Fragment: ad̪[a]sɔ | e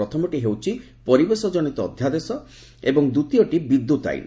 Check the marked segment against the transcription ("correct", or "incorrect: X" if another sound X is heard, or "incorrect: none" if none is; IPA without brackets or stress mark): incorrect: e